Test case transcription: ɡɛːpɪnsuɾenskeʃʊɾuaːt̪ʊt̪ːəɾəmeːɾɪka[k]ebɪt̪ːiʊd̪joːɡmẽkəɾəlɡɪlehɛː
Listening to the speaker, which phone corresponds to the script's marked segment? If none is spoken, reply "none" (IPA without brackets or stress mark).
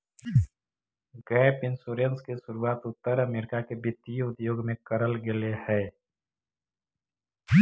k